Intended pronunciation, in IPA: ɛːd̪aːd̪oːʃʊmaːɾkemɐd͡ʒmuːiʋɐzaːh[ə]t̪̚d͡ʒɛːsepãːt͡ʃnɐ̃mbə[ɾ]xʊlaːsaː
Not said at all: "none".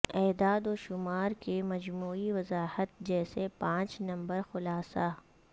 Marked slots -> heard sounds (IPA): ə, ɾ

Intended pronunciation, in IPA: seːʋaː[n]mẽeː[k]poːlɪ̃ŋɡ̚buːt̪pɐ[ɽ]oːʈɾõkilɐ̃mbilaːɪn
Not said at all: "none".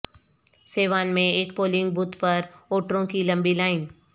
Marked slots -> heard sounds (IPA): n, k, ɾ

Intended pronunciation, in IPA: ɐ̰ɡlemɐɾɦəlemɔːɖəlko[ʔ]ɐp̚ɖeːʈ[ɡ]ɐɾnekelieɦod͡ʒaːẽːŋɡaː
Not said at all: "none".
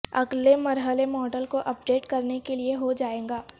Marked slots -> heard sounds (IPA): ʔ, k

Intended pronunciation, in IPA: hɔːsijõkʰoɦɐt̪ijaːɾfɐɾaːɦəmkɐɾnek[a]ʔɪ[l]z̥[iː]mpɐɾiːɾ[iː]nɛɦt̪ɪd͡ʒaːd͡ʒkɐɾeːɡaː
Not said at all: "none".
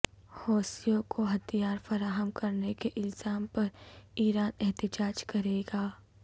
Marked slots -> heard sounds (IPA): e, l, aː, aː

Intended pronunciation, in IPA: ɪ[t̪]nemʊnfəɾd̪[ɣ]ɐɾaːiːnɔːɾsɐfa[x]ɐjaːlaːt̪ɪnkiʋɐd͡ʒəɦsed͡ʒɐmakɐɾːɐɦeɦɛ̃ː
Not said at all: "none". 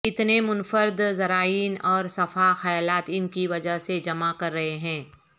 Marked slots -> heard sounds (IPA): t̪, z, x

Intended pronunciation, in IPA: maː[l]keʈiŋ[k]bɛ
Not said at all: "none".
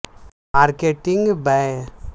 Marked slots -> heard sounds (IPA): ɾ, ɡ

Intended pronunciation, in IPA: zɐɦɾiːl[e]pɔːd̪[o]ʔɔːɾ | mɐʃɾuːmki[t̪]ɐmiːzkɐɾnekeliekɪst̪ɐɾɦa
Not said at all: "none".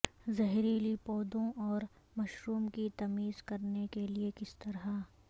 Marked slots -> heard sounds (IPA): i, õ, t̪

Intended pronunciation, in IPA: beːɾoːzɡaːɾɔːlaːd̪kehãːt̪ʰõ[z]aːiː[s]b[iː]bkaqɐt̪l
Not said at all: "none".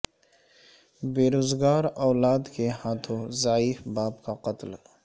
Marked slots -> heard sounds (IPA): z, f, aː

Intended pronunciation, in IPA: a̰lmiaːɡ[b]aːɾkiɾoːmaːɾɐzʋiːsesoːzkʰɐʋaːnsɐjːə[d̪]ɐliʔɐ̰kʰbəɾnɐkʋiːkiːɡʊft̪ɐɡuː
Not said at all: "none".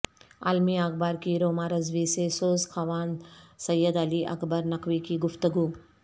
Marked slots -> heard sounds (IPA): b, d̪

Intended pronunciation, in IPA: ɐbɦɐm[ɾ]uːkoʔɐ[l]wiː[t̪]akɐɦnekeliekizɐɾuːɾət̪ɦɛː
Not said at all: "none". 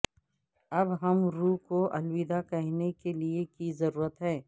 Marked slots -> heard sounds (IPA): ɾ, l, d̪

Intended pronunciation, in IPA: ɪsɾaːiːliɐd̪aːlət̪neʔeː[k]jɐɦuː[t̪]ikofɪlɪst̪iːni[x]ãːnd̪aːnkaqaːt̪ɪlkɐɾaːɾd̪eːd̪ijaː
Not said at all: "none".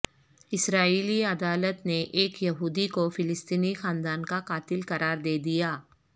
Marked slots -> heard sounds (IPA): k, d̪, x

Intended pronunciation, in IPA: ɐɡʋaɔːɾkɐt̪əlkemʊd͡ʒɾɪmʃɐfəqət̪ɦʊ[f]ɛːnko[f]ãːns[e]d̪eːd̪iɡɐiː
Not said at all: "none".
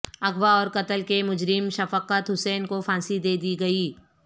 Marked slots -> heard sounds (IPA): s, f, i

